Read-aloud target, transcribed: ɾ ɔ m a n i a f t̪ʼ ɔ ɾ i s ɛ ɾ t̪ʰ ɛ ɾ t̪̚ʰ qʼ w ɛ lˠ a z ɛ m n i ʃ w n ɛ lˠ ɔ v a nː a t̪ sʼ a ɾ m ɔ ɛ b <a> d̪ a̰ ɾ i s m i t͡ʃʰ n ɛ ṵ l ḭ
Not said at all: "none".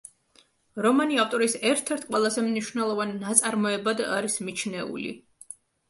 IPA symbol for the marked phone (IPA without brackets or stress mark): a